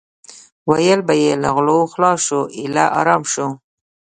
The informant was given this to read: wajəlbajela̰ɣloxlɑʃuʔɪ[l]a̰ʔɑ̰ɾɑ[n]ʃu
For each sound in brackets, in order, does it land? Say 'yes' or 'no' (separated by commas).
yes, no